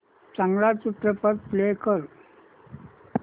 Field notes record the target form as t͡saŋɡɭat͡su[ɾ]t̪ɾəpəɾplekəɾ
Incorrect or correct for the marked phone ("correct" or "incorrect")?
incorrect